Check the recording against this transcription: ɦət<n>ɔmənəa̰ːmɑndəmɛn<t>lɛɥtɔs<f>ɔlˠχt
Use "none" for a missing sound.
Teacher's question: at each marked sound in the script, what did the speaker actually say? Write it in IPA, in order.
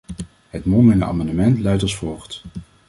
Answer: m, t, f

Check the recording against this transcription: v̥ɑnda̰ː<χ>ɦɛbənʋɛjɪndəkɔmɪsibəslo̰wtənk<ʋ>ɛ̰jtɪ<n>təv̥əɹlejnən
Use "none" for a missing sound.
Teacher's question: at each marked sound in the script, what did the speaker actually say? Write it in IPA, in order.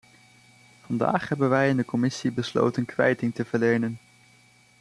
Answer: χ, ʋ, ŋ

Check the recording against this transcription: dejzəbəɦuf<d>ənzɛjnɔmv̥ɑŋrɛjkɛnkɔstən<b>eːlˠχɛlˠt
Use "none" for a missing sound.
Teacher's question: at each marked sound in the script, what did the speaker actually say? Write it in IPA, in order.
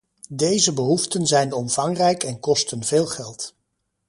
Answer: t, v

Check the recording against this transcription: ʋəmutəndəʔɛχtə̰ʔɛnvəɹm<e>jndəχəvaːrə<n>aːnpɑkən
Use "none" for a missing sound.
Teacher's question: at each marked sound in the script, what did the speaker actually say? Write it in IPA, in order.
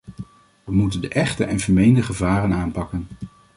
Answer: e, n

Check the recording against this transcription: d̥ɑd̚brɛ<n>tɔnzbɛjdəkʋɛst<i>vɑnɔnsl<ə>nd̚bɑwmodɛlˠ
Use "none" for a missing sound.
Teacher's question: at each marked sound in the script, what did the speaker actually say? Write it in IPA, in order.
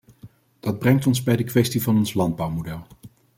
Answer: ŋ, i, ɑ

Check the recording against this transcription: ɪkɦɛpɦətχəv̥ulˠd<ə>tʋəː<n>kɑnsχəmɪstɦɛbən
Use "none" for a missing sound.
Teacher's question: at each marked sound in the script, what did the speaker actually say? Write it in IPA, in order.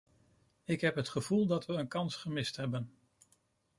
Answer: ɑ, n

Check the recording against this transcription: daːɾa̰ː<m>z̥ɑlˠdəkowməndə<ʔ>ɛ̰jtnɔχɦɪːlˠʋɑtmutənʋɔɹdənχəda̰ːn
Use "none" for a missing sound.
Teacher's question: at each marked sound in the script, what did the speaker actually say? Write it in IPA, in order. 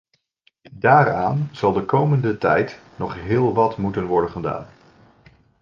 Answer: n, t

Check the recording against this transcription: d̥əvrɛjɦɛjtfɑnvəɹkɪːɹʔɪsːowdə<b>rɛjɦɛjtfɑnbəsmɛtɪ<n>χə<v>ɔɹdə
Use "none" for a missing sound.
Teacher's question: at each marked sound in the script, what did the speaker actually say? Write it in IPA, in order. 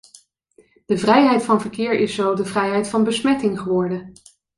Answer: v, ŋ, ʋ

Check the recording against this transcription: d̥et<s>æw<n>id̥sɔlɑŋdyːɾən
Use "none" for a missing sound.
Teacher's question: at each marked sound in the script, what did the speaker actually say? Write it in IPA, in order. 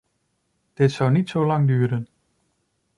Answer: s, n

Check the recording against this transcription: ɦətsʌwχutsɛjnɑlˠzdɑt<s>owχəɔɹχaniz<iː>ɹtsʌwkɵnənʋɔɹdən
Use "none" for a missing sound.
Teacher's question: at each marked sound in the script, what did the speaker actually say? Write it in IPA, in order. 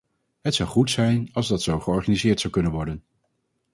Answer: s, ɪː

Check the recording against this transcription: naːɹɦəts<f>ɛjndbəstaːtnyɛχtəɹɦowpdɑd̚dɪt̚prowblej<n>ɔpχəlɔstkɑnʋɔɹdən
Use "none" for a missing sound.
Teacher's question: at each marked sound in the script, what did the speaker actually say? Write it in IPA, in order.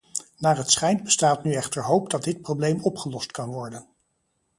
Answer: χ, m

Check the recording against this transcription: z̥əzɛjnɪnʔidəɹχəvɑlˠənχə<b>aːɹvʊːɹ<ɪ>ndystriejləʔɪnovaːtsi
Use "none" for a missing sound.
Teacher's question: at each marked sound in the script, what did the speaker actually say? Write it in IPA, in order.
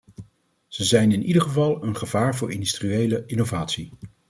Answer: v, ɪ

